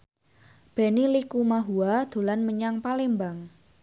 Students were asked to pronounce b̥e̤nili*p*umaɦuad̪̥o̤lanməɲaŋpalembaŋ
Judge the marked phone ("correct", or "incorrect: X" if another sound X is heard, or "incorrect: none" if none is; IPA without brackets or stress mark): incorrect: k